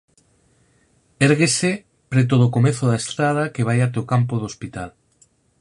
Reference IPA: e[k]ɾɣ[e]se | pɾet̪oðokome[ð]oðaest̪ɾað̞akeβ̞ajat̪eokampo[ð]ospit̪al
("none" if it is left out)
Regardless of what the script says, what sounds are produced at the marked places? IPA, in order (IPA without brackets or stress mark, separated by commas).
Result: none, e, θ, ð